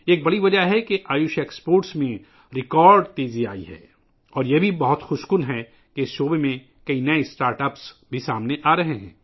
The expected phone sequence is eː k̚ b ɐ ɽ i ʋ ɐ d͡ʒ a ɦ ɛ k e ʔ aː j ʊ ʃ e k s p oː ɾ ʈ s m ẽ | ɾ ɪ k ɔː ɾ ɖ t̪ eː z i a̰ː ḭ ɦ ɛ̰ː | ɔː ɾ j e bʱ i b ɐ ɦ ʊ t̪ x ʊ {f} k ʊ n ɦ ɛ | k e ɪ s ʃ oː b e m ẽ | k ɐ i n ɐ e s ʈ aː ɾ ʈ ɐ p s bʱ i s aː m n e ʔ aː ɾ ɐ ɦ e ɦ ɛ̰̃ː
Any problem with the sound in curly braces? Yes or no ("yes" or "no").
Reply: yes